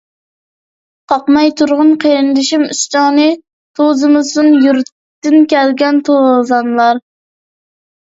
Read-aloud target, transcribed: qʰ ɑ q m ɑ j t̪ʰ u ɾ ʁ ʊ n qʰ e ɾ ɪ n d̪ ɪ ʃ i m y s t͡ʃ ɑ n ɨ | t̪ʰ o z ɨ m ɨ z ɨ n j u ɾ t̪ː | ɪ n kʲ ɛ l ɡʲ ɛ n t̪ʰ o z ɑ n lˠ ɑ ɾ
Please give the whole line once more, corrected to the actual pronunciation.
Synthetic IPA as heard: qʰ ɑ q m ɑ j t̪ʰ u ɾ ʁ ʊ n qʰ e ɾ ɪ n d̪ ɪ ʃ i m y s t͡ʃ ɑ n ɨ | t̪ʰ o z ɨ m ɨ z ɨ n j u ɾ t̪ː | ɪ n kʲ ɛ l ɡʲ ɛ n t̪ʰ o z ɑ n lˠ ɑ ɾ